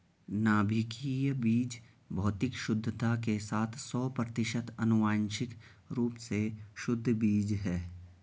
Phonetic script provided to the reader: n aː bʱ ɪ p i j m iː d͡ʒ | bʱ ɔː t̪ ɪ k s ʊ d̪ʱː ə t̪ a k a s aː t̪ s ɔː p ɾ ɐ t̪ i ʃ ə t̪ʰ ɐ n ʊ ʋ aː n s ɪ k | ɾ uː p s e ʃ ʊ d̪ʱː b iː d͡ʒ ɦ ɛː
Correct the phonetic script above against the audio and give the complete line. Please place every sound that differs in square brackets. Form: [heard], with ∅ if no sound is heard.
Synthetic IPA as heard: n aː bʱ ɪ [k] i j [b] iː d͡ʒ | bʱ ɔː t̪ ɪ k [ʃ] ʊ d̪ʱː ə t̪ a k [e] s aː [t̪ʰ] s ɔː p ɾ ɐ t̪ [ɪ] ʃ ə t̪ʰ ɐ n ʊ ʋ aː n [ʃ] ɪ k | ɾ uː p s e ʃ ʊ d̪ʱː b iː d͡ʒ ɦ ɛː